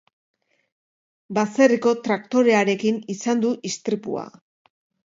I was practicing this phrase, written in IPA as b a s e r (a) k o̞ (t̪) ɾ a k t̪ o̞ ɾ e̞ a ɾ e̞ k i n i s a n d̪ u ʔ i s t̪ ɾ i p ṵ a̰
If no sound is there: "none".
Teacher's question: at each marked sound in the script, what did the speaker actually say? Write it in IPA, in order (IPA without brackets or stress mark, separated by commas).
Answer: i, t̪